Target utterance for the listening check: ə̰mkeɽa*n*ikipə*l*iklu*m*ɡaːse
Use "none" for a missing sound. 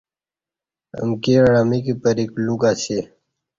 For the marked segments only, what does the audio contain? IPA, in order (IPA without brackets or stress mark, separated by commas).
m, ɾ, none